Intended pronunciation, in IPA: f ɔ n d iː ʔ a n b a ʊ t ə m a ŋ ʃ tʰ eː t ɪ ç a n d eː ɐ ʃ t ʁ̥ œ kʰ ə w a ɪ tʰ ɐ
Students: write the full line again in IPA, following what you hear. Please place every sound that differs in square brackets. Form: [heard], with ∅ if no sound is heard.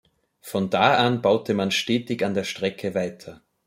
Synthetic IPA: f ɔ n d [aː] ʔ a n b a ʊ t ə m a [n] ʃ [t] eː t ɪ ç a n d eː ɐ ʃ t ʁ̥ [ɛ] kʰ ə [v] a ɪ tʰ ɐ